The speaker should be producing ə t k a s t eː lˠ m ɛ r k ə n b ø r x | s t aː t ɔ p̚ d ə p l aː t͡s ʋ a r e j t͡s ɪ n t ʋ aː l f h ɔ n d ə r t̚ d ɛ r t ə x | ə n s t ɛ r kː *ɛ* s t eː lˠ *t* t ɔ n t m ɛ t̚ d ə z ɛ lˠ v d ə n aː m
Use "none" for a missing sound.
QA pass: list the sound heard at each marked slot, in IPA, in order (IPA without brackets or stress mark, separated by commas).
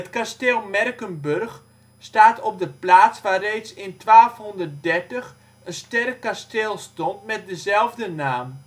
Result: a, s